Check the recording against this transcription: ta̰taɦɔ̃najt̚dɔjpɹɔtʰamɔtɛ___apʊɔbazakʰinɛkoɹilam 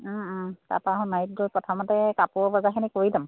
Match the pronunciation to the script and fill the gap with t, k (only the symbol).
k